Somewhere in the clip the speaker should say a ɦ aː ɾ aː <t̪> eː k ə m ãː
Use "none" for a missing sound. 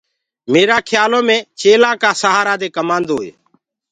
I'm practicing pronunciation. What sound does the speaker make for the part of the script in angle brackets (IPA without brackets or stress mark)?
d̪